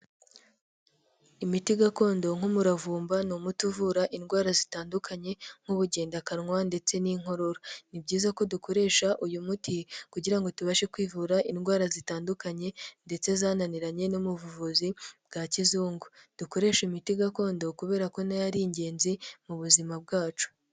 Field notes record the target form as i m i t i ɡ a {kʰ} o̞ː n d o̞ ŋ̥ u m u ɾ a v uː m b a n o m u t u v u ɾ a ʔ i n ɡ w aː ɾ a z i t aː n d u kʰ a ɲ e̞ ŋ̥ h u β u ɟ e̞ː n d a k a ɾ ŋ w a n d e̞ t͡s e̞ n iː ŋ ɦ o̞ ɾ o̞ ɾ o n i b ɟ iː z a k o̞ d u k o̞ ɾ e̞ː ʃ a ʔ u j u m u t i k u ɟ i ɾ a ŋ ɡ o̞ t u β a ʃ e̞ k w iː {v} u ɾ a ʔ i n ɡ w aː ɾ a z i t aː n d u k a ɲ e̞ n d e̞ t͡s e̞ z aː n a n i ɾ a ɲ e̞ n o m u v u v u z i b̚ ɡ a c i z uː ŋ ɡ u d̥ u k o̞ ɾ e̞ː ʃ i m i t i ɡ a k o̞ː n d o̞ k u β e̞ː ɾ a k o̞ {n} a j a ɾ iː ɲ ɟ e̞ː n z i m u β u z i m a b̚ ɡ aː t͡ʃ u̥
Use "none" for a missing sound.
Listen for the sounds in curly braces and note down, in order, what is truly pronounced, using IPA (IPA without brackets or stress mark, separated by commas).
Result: k, v, n